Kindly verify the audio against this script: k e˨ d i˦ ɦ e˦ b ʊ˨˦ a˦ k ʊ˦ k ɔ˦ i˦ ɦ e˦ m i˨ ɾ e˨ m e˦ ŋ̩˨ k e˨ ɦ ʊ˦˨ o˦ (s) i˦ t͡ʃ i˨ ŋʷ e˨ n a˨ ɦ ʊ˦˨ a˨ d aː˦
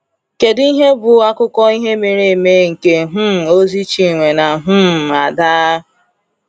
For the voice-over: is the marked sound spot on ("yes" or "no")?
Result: no